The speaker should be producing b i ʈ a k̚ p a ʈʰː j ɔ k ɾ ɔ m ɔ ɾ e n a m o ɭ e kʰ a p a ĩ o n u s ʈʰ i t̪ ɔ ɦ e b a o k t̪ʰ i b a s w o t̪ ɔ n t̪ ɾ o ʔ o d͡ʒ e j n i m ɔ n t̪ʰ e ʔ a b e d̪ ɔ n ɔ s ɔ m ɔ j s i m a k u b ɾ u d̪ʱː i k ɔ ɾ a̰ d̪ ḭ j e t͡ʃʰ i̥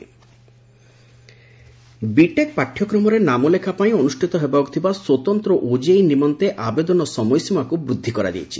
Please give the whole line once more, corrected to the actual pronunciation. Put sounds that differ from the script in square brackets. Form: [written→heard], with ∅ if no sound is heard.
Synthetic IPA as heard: b i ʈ [a→e] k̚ p a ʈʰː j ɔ k ɾ ɔ m ɔ ɾ e n a m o [ɭ→l] e kʰ a p a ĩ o n u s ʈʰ i t̪ ɔ ɦ e b a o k t̪ʰ i b a s w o t̪ ɔ n t̪ ɾ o ʔ o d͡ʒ e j n i m ɔ n [t̪ʰ→t̪] e ʔ a b e d̪ ɔ n ɔ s ɔ m ɔ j s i m a k u b ɾ u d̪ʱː i k ɔ ɾ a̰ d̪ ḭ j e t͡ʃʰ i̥